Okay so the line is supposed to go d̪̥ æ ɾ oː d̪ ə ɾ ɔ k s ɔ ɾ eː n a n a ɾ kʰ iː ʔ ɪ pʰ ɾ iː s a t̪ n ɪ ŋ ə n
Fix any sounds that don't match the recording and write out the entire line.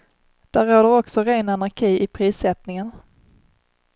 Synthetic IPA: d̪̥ æ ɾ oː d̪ ə ɾ ɔ k s ɔ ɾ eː n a n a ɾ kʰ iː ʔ ɪ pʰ ɾ iː s ɛ t̪ n ɪ ŋ ə n